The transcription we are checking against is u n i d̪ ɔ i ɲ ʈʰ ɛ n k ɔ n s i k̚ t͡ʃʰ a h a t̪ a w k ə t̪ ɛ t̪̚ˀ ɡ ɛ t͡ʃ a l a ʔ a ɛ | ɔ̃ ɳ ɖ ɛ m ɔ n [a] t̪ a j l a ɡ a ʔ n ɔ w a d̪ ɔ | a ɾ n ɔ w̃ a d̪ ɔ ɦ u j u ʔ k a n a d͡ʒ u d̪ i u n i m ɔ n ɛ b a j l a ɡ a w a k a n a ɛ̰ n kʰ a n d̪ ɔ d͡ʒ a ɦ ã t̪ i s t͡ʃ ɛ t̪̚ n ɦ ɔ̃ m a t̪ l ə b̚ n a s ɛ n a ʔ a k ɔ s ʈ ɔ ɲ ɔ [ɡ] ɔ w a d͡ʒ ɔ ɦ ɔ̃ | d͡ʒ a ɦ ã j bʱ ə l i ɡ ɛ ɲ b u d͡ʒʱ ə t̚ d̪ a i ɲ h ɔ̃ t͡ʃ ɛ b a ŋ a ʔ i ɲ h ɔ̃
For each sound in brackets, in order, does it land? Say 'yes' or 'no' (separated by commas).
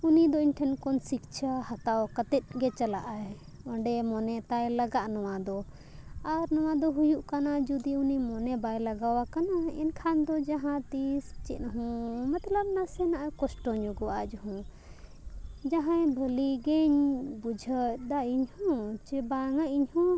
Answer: no, yes